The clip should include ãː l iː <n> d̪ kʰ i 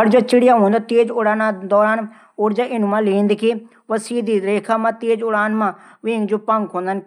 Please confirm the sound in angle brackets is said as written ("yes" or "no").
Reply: yes